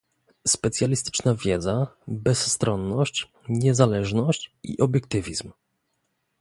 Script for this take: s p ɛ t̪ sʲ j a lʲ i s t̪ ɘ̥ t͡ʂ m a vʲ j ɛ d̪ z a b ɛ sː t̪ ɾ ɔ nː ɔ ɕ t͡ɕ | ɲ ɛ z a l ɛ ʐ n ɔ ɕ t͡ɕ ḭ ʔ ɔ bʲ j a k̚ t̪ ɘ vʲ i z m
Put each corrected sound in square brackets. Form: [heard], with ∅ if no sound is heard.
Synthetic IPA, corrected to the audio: s p ɛ t̪ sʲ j a lʲ i s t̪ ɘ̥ t͡ʂ [n] a vʲ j ɛ d̪ z a b ɛ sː t̪ ɾ ɔ nː ɔ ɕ t͡ɕ | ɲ ɛ z a l ɛ ʐ n ɔ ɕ t͡ɕ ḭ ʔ ɔ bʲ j [ɛ] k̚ t̪ ɘ vʲ i z m